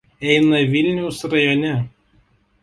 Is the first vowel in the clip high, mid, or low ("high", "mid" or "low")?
mid